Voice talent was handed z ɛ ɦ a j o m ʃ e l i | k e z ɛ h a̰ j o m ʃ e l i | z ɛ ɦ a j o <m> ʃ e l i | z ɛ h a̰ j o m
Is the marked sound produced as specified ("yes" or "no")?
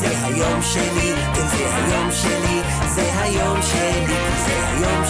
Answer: yes